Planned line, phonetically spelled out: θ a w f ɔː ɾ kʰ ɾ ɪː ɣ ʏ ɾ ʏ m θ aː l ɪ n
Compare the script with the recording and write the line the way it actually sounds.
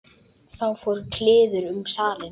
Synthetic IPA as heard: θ a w f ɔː ɾ kʰ l ɪː ð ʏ ɾ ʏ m s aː l ɪ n